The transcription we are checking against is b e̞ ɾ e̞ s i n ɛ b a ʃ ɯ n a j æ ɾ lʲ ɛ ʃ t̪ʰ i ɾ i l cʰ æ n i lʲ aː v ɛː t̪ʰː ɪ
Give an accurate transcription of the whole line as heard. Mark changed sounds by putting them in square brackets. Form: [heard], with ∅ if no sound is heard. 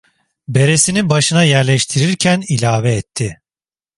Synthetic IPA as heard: b e̞ ɾ e̞ s i n [i] b a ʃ ɯ n a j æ ɾ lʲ ɛ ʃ t̪ʰ i ɾ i [ɾ] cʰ æ n i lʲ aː v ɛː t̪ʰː ɪ